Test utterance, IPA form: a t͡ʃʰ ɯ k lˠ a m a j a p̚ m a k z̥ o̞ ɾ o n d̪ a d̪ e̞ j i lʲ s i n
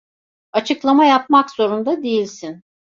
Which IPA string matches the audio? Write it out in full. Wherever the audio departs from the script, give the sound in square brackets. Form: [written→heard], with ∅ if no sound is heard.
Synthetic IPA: a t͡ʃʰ ɯ k lˠ a m a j a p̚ m a k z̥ o̞ ɾ [o→u] n d̪ a d̪ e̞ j i lʲ s i n